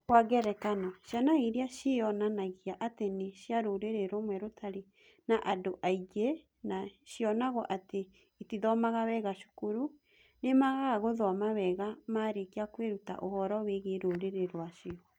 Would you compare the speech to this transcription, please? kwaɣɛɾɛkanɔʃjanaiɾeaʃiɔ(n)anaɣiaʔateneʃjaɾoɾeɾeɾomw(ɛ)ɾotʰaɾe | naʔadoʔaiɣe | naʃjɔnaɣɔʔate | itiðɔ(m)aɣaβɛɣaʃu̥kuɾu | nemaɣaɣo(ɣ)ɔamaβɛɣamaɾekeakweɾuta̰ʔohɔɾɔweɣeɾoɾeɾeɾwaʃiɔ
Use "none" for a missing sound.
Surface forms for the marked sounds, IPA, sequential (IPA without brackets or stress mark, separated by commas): n, ɛ, m, ð